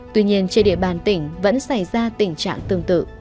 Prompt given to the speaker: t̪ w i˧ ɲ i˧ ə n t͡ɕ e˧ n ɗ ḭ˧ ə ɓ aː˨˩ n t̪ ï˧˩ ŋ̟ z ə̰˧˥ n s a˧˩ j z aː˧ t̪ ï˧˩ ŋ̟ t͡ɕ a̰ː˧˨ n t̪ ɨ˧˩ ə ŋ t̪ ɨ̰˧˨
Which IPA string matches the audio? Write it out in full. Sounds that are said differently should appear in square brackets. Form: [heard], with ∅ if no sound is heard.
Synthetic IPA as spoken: t̪ w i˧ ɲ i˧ ə n t͡ɕ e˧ n ɗ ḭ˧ ə ɓ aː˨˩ n t̪ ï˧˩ ŋ̟ [v] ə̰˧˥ n s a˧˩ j z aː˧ t̪ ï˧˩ ŋ̟ t͡ɕ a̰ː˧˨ [ŋ] t̪ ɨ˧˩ ə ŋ t̪ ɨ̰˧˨